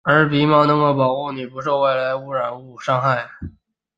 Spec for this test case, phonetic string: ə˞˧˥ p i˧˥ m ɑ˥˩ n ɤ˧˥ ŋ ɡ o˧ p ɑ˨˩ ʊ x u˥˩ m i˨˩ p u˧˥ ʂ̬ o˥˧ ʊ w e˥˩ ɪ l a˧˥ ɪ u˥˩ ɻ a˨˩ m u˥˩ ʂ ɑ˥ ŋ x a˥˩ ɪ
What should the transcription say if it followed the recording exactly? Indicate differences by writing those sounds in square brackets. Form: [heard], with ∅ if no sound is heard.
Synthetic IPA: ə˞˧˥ p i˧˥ m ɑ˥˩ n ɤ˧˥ ŋ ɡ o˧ p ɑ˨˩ ʊ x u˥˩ [n] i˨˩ p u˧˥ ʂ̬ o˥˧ ʊ w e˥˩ ɪ l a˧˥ ɪ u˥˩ ɻ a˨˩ [n] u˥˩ ʂ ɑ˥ ŋ x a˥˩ ɪ